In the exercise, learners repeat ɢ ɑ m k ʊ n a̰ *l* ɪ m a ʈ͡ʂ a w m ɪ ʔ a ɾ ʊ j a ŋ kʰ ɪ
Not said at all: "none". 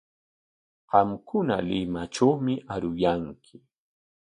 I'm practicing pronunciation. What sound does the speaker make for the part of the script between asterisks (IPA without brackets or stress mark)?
l